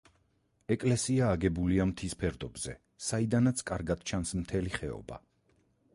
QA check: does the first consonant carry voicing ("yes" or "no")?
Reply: no